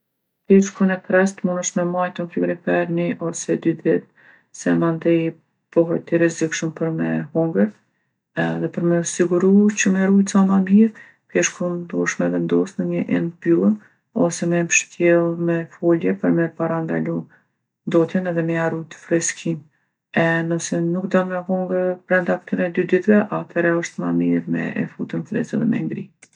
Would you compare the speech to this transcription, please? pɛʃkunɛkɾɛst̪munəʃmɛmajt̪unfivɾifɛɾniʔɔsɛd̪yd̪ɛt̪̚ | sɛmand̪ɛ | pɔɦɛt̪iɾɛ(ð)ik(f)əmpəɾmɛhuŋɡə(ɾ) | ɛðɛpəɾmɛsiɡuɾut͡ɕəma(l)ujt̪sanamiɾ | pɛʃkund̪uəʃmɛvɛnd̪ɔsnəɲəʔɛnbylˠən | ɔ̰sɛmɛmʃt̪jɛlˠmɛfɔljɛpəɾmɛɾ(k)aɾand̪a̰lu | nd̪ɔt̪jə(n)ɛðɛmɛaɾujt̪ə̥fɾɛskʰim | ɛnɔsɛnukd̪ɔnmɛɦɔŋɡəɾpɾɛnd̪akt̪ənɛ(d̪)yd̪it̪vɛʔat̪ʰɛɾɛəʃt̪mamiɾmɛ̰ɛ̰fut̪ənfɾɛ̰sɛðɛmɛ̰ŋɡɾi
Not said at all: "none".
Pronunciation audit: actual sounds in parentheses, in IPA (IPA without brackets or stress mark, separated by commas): z, ʃ, ɾ, ɾ, p, n, d̪